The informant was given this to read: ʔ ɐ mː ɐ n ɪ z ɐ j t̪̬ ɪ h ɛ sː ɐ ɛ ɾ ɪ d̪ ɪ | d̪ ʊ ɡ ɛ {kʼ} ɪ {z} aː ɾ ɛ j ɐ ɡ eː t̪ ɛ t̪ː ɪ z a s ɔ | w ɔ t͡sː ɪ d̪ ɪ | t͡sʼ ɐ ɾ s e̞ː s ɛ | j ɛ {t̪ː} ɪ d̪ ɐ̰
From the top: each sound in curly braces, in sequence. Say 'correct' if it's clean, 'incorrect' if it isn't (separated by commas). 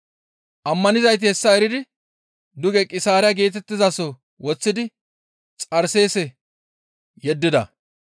correct, incorrect, incorrect